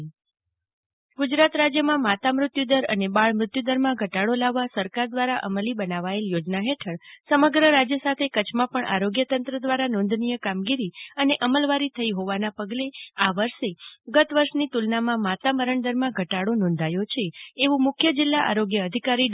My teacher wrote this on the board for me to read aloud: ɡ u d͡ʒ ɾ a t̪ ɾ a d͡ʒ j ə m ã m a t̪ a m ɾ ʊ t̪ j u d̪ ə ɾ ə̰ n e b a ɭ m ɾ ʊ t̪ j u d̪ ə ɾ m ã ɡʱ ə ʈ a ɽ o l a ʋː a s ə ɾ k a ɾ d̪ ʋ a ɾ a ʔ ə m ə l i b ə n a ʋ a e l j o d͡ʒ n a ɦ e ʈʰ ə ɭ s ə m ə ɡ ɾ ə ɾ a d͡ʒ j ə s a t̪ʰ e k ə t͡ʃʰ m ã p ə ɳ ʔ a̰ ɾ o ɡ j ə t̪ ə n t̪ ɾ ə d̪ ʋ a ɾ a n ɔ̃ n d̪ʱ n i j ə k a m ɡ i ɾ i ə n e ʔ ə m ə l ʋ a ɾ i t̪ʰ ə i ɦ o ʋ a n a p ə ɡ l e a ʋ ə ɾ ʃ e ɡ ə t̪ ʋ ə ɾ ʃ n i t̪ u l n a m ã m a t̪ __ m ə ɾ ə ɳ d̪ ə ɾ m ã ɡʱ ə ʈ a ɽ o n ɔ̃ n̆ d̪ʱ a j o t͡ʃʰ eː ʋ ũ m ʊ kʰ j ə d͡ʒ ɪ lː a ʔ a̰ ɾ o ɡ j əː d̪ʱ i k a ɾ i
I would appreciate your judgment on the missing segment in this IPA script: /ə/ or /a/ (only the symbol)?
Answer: a